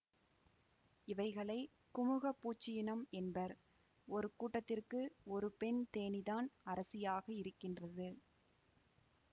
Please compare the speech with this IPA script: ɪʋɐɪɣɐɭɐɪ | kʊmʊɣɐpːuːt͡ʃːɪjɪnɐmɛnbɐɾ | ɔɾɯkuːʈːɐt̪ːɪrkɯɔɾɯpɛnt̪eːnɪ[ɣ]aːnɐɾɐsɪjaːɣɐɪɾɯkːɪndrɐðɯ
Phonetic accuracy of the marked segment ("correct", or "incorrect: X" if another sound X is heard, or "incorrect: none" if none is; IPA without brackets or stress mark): incorrect: ð